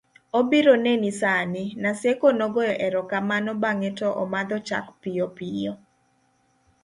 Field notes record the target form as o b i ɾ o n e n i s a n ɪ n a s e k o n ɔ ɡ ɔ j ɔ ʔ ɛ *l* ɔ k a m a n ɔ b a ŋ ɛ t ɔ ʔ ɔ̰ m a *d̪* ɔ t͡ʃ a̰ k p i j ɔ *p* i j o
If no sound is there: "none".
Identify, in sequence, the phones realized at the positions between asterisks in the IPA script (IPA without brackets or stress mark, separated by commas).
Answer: ɾ, d̪, p